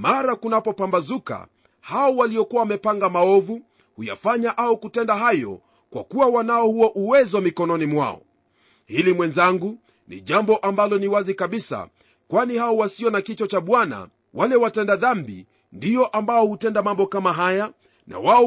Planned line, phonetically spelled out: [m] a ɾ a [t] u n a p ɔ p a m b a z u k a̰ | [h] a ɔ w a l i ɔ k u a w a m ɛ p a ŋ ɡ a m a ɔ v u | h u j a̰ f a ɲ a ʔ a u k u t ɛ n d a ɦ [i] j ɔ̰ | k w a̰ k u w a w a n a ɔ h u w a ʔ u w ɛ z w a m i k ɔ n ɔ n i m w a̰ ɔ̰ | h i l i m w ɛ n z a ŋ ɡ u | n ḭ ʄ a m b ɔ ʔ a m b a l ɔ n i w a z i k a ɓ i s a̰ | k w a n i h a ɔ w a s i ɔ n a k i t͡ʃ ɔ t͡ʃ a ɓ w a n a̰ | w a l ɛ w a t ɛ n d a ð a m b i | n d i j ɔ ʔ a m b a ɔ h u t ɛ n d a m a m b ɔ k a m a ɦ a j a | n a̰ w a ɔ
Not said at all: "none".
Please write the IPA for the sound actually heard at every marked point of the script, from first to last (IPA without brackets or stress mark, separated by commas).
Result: m, k, h, a